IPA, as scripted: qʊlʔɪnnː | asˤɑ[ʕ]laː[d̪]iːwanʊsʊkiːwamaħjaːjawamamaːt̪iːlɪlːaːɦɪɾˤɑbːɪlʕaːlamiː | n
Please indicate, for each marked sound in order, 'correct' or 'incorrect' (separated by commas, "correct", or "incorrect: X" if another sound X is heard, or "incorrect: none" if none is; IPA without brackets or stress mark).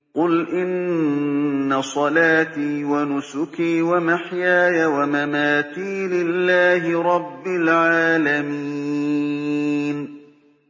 incorrect: none, incorrect: t̪